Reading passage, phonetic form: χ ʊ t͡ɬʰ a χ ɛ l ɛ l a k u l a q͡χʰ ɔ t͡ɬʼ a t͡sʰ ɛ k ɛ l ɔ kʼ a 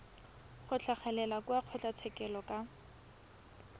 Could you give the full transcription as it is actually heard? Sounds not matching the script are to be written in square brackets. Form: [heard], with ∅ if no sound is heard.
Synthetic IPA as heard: χ ʊ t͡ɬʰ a χ ɛ l ɛ l a k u [∅] a q͡χʰ ɔ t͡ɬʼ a t͡sʰ ɛ k ɛ l ɔ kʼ a